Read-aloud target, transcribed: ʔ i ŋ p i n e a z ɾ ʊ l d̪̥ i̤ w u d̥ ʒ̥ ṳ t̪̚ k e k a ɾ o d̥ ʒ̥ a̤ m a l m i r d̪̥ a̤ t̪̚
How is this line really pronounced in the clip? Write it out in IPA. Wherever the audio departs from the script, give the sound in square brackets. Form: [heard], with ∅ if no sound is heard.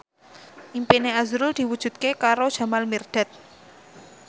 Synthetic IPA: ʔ i [m] p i n e a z ɾ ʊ l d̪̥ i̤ w u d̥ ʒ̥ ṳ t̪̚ k e k a ɾ o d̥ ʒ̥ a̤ m a l m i r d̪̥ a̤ t̪̚